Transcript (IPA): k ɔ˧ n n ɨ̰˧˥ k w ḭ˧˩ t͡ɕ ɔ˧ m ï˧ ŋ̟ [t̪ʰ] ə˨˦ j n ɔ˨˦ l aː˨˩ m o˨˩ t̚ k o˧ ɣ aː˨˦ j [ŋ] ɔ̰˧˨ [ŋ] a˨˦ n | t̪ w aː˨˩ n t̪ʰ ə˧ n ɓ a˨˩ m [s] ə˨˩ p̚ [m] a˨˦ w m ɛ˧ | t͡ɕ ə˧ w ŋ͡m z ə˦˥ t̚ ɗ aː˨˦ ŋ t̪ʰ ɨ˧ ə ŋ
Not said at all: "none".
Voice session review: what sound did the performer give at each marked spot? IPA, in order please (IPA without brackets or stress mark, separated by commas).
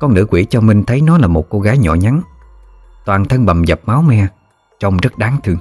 t̪ʰ, ɲ, ɲ, z, m